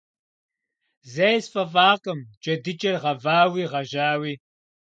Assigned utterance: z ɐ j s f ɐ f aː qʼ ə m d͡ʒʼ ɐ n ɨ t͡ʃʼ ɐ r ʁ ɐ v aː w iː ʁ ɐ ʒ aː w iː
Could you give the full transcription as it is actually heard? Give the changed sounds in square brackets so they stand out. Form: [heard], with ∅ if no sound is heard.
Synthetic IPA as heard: z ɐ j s f ɐ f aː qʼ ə m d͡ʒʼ ɐ [d] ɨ t͡ʃʼ ɐ r ʁ ɐ v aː w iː ʁ ɐ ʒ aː w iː